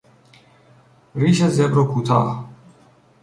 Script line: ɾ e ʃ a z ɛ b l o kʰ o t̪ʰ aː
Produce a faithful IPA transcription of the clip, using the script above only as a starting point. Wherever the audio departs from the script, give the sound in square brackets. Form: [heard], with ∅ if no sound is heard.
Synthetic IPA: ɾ [i] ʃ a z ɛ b [ɾ] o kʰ [u] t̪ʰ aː